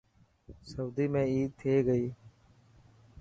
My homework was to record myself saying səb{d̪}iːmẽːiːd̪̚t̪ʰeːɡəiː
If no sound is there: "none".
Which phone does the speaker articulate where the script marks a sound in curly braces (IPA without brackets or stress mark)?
d̪